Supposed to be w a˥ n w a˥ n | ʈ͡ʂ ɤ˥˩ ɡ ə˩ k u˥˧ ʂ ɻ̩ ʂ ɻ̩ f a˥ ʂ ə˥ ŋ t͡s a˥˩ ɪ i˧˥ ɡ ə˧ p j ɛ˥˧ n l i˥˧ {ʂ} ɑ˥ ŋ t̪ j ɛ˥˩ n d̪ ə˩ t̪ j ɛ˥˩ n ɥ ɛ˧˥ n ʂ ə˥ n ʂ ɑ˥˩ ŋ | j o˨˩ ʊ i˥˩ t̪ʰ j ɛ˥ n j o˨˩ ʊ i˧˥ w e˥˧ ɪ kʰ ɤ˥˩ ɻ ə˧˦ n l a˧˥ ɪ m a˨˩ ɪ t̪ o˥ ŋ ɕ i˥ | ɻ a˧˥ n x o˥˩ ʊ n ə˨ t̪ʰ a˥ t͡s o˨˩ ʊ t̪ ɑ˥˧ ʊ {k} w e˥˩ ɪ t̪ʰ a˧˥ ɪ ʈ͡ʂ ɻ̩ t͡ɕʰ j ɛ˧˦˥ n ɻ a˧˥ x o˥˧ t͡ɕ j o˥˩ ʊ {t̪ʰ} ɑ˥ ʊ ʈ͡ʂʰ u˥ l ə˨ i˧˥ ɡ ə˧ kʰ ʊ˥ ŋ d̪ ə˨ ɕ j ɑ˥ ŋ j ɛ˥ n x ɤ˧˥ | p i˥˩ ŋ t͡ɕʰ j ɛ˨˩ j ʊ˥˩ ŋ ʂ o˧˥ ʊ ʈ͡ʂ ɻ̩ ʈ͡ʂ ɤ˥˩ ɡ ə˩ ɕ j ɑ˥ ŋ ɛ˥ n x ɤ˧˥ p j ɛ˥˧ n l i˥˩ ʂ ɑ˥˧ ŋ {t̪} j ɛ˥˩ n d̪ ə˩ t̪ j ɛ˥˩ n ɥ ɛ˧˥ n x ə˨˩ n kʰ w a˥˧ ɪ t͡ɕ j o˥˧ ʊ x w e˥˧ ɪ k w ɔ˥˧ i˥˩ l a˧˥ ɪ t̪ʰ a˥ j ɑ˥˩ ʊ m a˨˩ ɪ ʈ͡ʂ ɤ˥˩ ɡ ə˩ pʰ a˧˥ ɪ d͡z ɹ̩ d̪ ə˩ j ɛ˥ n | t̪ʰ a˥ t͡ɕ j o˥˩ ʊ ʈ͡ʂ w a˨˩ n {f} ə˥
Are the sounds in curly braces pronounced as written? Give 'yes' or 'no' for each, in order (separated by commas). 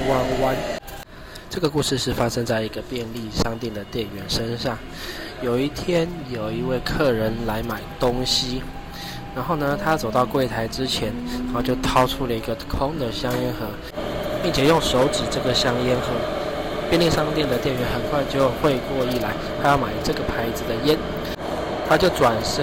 yes, yes, yes, yes, no